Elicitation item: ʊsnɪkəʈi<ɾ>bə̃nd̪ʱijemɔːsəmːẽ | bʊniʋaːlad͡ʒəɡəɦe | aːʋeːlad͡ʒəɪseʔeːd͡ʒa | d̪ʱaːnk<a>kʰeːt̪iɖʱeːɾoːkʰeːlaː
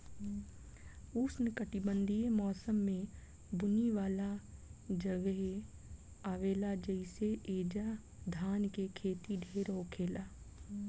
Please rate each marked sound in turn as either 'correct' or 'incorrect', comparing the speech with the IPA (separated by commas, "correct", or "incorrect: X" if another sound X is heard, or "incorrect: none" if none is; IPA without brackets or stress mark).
incorrect: none, incorrect: e